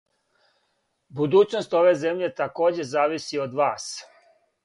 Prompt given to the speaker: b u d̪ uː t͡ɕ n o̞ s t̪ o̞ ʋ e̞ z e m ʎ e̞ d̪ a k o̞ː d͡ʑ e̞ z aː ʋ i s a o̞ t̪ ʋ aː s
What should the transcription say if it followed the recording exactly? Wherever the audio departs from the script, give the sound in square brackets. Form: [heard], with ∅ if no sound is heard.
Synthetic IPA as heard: b u d̪ uː t͡ɕ n o̞ s t̪ o̞ ʋ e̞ z e m ʎ e̞ [t̪] a k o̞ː d͡ʑ e̞ z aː ʋ i s [i] o̞ [d̪] ʋ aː s